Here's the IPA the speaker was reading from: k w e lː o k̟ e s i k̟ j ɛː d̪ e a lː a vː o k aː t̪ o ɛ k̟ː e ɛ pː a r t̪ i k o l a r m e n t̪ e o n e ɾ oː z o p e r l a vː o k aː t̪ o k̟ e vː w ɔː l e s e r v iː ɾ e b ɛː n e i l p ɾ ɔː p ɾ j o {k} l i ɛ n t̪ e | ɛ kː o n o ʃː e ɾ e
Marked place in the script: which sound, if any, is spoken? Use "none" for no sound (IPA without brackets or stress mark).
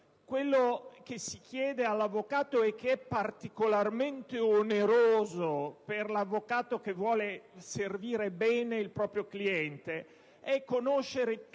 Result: k